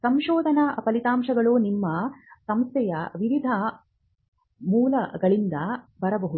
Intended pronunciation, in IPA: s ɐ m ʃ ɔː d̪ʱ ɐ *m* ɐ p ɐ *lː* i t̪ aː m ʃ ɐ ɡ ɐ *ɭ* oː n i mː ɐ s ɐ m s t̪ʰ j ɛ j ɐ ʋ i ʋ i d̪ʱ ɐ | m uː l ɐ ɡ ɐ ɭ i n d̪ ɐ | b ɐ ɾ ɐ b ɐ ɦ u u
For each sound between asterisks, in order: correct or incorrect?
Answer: incorrect: n, incorrect: l, correct

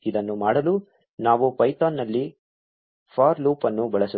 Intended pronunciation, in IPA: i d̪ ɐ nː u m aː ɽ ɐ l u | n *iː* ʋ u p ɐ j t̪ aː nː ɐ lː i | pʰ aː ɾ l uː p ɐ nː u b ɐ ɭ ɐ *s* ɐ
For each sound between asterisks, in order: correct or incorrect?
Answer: incorrect: aː, correct

